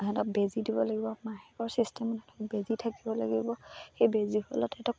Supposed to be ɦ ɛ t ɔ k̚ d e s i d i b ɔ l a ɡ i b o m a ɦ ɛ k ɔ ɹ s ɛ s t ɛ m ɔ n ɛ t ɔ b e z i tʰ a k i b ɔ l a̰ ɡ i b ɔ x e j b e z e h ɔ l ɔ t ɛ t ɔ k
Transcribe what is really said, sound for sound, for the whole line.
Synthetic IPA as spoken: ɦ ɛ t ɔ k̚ b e z i d i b ɔ l a ɡ i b ɔ m a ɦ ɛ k ɔ ɹ s i s t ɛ m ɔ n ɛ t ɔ b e z i tʰ a k i b ɔ l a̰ ɡ i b ɔ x e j b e z i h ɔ l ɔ t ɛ t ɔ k

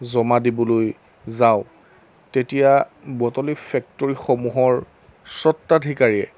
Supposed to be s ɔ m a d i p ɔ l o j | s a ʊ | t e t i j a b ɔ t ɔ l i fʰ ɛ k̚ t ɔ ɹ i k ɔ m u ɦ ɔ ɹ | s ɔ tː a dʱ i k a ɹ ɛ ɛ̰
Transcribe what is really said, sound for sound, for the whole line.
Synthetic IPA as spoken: z ɔ m a d i b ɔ l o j | z a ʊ | t e t i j a b ɔ t ɔ l i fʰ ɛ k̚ t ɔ ɹ i x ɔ m u ɦ ɔ ɹ | s ɔ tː a dʱ i k a ɹ i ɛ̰

